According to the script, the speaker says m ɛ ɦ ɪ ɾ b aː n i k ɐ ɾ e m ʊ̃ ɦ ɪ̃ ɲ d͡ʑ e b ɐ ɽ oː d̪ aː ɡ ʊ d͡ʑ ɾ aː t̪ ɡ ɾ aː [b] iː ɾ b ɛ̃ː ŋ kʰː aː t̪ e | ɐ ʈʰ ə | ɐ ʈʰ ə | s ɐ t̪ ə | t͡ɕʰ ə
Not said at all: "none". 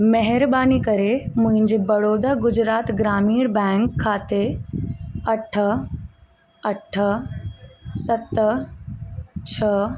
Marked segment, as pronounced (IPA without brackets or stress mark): m